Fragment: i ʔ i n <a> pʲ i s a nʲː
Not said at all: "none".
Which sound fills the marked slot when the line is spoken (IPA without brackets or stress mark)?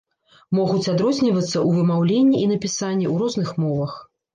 ɐ